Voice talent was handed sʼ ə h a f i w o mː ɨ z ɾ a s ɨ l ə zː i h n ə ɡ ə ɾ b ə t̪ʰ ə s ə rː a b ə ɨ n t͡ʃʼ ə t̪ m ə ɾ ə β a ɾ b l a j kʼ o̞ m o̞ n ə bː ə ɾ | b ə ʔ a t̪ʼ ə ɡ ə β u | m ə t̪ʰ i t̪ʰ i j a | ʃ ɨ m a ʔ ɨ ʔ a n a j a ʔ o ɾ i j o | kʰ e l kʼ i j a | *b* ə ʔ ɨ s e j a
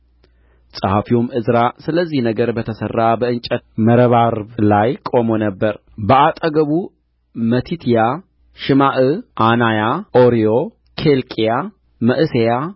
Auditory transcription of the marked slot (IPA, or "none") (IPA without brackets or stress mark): m